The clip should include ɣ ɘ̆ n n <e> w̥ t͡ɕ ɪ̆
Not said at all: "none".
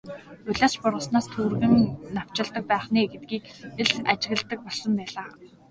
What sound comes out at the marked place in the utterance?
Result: a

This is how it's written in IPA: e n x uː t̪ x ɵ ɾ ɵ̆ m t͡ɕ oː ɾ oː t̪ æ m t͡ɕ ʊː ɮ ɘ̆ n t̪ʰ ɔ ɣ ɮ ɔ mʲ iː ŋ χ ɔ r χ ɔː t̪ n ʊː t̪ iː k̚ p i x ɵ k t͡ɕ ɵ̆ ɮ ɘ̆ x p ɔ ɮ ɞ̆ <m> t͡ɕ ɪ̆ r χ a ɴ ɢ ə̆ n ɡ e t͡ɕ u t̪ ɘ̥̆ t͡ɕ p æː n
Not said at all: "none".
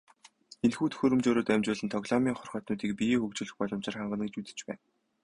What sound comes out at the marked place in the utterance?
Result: m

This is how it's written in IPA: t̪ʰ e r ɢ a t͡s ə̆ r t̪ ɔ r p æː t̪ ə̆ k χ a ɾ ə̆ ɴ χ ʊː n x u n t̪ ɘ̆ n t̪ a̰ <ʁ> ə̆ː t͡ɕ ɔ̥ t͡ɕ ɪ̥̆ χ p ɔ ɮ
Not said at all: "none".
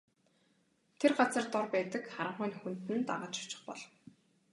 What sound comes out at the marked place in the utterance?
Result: ʁ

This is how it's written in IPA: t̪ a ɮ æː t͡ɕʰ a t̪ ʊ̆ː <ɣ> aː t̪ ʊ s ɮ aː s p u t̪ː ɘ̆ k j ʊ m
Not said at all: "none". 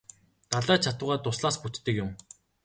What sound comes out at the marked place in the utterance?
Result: ʁ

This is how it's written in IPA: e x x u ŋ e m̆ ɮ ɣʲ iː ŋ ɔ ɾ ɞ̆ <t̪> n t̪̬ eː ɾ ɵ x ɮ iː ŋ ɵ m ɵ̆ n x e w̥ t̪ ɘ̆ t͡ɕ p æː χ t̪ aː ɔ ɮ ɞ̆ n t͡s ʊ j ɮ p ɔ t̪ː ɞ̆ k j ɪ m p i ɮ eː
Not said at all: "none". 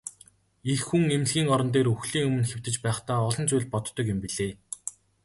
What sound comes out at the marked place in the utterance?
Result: none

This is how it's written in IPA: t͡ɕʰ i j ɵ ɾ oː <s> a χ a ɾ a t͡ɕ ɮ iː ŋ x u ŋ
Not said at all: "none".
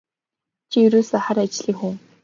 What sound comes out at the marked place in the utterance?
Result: s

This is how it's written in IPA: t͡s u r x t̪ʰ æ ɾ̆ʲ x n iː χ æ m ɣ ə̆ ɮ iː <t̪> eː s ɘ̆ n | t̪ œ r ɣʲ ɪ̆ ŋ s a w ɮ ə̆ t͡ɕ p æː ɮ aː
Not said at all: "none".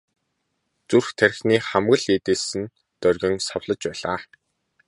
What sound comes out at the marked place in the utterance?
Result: t̪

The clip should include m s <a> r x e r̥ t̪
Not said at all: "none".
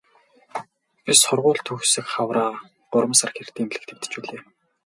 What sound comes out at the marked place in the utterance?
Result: a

